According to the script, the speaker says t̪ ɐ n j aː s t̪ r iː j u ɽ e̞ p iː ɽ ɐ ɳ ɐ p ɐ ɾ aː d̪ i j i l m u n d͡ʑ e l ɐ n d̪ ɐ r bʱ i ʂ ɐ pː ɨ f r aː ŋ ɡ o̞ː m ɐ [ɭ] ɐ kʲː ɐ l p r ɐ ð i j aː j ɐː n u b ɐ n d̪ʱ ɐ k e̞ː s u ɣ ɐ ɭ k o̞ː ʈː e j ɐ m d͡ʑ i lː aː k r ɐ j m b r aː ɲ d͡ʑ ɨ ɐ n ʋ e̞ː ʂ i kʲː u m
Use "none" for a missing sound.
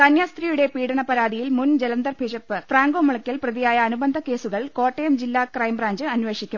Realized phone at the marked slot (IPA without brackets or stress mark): ɭ